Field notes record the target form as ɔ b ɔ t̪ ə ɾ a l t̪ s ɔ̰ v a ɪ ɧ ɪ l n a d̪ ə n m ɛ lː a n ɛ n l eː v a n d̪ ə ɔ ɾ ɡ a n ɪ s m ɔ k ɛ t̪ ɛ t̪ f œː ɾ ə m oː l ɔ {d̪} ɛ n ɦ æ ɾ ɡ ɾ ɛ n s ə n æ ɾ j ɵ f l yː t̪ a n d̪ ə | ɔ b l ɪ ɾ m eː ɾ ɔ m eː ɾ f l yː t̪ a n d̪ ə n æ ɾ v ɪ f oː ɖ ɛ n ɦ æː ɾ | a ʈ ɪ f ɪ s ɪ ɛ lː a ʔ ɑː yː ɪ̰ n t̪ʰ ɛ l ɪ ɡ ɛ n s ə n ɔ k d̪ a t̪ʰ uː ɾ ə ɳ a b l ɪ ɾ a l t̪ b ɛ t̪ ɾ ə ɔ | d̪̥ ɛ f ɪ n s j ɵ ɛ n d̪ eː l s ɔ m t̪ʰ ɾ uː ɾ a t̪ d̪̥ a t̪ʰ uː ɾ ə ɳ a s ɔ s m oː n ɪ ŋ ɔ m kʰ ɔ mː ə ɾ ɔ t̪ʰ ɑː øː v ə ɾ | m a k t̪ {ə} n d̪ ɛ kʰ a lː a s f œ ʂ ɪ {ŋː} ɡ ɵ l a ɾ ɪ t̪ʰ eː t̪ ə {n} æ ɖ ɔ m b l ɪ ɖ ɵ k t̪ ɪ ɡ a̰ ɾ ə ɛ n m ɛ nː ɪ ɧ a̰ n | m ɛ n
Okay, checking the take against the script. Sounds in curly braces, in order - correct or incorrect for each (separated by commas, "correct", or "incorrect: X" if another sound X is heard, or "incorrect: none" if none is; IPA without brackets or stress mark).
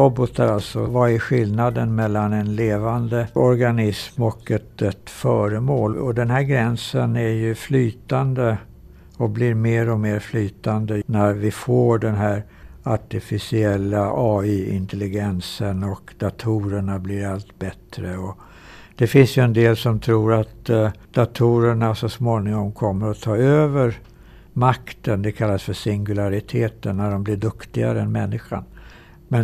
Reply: correct, correct, incorrect: ŋ, incorrect: nː